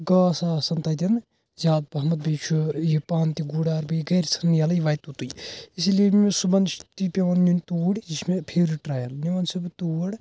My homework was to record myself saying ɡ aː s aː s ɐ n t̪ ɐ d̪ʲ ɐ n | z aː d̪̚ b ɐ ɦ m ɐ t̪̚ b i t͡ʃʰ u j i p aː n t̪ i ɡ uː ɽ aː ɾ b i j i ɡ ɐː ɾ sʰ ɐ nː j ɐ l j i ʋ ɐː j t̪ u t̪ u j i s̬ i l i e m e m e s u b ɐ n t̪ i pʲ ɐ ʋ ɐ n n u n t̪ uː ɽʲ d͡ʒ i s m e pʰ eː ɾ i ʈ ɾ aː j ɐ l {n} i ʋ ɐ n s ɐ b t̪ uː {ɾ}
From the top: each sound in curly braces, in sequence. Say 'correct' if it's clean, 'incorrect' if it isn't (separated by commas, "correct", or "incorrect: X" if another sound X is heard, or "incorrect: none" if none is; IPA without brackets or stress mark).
correct, incorrect: ɽ